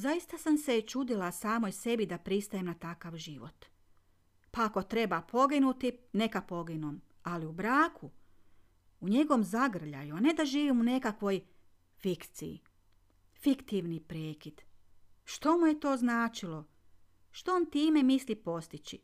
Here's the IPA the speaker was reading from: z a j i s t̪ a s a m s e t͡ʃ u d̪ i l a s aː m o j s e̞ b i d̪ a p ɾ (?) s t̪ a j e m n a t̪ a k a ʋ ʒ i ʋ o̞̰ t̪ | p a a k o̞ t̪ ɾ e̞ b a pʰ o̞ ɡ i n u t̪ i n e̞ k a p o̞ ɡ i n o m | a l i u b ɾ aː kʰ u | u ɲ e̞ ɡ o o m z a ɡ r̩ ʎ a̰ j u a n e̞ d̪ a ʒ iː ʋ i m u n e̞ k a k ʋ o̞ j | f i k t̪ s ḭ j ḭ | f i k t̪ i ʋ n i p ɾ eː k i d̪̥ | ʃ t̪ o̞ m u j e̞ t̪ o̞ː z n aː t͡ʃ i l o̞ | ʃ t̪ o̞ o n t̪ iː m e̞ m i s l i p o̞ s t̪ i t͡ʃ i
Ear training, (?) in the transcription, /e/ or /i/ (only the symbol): i